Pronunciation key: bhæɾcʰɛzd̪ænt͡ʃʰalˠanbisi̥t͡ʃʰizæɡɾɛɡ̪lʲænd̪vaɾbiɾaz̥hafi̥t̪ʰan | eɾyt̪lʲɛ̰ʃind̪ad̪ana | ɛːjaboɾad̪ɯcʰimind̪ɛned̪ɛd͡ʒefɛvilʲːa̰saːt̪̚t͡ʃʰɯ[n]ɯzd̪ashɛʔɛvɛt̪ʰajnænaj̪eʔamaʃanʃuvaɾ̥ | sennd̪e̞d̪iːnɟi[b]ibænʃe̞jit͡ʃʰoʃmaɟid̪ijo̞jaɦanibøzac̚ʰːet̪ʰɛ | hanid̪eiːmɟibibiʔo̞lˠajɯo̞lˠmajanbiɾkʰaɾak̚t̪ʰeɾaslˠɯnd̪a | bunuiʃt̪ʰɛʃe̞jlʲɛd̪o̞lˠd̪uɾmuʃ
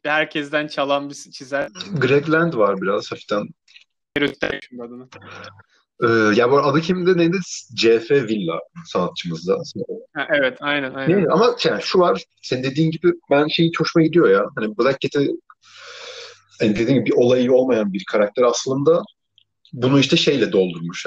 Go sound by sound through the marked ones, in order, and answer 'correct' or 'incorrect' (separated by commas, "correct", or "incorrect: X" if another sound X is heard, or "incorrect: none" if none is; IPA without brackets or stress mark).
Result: incorrect: m, correct